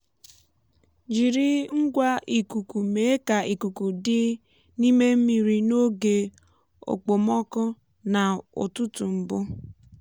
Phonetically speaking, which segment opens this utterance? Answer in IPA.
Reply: d͡ʒ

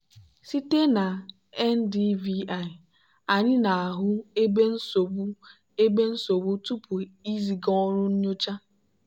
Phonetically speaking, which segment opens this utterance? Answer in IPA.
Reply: s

